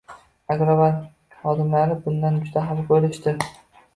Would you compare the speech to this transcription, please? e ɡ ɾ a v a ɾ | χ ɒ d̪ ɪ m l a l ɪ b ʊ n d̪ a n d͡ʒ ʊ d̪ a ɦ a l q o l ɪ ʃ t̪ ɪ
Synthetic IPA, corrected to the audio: a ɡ ɾ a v a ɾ | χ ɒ d̪ ɪ m l a ɾ ɪ b ʊ n d̪ a n d͡ʒ ʊ d̪ a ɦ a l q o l ɪ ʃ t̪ ɪ